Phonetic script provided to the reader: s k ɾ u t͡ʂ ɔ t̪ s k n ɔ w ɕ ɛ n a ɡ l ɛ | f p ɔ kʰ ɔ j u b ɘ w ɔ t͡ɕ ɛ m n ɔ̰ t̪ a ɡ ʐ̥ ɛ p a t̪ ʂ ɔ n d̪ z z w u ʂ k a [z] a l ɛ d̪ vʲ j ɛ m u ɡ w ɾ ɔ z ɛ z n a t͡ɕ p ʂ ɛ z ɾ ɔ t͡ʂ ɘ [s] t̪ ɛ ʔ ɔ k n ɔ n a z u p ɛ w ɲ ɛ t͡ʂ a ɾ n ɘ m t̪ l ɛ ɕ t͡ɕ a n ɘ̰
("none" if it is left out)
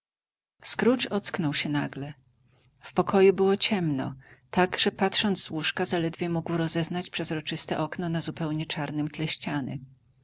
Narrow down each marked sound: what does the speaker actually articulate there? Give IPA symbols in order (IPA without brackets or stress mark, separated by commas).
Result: z, s